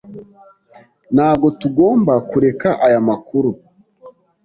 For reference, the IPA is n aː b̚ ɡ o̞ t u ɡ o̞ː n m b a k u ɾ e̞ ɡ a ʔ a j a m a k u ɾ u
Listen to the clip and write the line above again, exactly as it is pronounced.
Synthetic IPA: n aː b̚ ɡ o̞ t u ɡ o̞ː m b a k u ɾ e̞ k a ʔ a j a m a k u ɾ u